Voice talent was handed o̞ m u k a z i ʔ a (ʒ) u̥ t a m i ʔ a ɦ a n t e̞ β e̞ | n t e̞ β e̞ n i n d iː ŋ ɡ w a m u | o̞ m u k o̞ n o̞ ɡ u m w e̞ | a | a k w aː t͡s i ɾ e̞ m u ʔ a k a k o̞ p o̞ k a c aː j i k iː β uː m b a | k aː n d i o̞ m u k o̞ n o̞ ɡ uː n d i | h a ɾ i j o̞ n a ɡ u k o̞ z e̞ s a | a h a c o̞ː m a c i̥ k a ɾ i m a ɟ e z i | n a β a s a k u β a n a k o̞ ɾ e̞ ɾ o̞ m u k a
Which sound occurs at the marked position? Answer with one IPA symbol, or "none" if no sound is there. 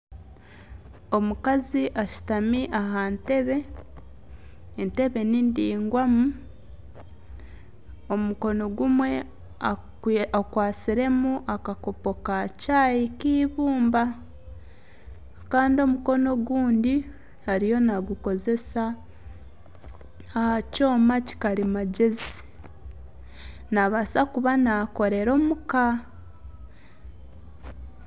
ʃ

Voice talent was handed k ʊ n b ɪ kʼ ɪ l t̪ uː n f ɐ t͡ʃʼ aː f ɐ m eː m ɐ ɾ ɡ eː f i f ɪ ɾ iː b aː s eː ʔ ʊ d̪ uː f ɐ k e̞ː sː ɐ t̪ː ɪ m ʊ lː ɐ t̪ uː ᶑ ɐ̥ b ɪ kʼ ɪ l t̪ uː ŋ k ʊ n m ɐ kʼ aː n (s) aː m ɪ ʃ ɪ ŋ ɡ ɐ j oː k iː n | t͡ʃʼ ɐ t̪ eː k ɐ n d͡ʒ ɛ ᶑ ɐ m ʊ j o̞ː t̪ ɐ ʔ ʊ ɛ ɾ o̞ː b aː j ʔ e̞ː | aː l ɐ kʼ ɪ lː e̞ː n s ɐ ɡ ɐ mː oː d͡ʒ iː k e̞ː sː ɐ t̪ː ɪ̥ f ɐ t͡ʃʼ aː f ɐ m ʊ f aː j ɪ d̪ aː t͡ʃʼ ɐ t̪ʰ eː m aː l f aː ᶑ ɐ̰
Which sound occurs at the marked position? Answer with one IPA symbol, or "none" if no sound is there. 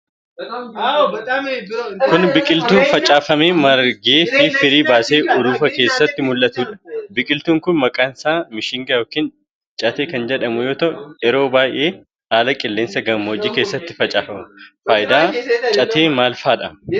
s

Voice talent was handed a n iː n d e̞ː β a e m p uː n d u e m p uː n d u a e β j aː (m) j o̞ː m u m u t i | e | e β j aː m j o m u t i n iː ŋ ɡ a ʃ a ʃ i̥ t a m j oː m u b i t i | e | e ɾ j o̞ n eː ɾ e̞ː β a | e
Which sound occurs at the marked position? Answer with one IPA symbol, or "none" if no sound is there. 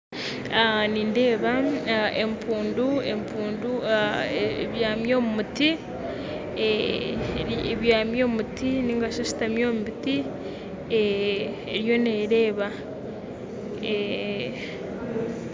m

